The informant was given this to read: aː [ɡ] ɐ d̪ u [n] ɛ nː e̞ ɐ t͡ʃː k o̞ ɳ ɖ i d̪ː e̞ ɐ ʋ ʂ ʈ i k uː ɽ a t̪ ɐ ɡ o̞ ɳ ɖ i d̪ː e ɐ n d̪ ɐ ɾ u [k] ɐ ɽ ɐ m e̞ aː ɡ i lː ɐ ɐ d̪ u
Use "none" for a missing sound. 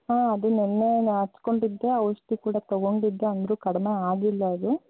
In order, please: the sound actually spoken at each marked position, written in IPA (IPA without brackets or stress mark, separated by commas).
none, n, k